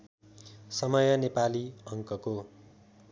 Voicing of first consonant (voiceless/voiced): voiceless